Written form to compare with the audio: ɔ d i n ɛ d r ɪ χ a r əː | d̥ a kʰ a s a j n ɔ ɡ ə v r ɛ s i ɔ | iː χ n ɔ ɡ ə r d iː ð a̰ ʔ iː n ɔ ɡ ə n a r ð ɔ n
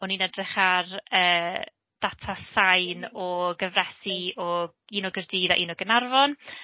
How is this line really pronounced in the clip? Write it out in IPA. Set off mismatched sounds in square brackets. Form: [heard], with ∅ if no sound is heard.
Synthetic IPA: ɔ [n] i n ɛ d r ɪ χ a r əː | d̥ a [tʰ] a s a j n ɔ ɡ ə v r ɛ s i ɔ | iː [∅] n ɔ ɡ ə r d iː ð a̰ ʔ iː n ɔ ɡ ə n a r [v] ɔ n